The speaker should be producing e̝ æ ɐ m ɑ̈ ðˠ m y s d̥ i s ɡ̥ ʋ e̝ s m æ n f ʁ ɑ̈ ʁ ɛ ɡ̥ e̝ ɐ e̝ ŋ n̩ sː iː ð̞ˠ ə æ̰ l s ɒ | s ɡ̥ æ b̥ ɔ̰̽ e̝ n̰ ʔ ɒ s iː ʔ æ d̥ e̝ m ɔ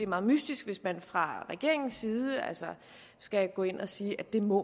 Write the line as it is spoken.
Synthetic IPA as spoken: e̝ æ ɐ m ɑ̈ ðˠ m y s d̥ i s ɡ̥ ʋ e̝ s m æ n f ʁ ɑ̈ ʁ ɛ ɡ̥ e̝ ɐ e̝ ŋ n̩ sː iː ð̞ˠ ə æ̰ l s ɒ | s ɡ̥ æ ɡ̥ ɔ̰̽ e̝ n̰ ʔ ɒ s iː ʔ æ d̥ e̝ m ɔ